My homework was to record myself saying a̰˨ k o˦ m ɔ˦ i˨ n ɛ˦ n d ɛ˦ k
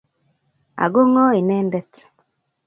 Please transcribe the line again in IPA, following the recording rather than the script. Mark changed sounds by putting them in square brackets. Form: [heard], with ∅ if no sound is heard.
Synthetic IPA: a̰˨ [ɡ] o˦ [ŋ] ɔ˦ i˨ n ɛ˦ n d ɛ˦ [t]

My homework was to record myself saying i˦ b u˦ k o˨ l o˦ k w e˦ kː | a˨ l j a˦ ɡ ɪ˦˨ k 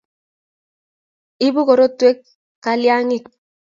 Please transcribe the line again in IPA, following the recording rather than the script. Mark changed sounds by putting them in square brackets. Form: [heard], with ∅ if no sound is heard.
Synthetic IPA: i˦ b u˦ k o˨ [ɾ] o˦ [t] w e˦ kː | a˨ l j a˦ [ŋ] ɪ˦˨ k

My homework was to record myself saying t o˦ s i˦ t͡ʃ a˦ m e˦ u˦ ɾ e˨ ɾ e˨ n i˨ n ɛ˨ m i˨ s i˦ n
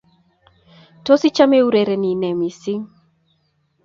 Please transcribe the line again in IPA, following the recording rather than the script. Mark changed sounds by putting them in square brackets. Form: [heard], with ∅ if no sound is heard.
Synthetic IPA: t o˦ s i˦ t͡ʃ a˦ m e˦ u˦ ɾ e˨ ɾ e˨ n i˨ n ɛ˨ m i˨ s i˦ [ŋ]

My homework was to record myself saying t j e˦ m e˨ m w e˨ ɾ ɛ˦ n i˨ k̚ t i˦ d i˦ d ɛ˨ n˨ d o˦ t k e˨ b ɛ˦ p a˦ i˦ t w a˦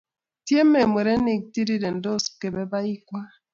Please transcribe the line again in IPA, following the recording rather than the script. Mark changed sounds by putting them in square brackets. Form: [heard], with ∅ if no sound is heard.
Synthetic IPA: t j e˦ m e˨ m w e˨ ɾ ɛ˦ n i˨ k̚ t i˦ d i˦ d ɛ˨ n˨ d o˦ [s] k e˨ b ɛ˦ [b] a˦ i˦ [k] w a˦

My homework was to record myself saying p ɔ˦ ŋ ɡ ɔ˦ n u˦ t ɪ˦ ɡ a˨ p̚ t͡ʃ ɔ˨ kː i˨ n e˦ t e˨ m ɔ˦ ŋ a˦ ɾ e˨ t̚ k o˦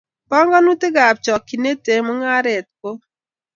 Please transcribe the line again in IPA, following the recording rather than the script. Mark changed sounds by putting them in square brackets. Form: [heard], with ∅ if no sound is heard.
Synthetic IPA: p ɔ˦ ŋ ɡ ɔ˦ n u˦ t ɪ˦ ɡ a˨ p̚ t͡ʃ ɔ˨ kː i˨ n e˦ t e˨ m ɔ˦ ŋ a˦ ɾ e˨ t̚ k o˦

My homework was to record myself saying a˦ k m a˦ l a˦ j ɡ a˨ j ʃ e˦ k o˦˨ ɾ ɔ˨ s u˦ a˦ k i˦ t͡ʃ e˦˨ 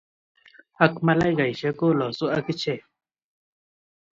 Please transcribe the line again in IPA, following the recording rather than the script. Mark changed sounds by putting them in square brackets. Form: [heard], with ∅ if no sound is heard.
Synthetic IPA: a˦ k m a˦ l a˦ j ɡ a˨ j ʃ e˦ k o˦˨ [l] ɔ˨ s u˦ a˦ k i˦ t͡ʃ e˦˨

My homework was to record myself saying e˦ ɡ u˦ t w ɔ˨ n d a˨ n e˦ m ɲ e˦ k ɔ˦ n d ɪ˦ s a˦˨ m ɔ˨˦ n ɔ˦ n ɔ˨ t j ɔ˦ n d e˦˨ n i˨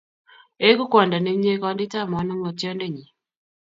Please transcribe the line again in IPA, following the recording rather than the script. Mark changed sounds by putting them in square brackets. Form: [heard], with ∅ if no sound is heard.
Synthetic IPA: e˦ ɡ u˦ [k] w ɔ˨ n d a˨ n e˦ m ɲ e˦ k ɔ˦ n d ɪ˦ [t] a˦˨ m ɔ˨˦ n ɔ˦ [ŋ] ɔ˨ t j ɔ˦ n d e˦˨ [ɲ] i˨

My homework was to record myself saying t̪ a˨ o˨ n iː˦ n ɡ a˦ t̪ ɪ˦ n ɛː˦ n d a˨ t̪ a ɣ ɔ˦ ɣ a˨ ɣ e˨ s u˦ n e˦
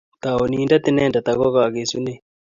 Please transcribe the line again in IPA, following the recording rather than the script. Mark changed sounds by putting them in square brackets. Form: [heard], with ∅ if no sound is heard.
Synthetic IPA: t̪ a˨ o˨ n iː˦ n [d] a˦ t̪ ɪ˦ n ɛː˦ n d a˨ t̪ a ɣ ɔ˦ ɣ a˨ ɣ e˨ s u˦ n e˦

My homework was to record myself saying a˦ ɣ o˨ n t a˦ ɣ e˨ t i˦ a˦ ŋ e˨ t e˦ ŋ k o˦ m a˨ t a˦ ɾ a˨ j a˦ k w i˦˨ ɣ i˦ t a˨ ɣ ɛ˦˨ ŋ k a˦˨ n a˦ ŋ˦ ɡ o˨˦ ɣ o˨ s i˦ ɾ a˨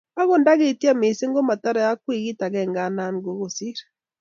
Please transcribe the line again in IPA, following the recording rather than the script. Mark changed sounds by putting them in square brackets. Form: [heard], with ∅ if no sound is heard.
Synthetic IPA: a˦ ɣ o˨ n [d] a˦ ɣ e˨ t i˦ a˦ [m] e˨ [s] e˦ ŋ [ɡ] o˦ m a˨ t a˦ ɾ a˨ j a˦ k w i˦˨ ɣ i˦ t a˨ ɣ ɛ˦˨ ŋ [ɡ] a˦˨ n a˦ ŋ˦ ɡ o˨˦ ɣ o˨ s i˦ ɾ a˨

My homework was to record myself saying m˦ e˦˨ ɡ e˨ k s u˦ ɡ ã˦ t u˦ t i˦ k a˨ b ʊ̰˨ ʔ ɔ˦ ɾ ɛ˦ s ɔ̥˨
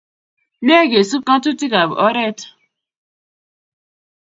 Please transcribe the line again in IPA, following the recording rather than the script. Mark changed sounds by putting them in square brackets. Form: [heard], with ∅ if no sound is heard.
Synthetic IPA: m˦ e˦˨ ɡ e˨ [∅] s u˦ [k] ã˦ t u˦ t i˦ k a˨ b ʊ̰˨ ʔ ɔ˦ ɾ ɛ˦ [t] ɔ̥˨

